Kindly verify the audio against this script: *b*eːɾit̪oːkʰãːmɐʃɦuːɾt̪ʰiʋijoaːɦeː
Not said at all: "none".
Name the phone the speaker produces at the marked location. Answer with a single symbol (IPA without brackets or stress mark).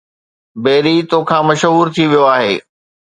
b